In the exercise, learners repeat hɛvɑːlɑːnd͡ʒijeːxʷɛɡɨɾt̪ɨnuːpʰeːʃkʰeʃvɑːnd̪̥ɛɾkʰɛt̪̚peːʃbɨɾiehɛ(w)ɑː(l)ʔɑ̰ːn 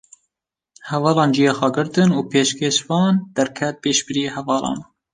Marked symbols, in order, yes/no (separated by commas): no, yes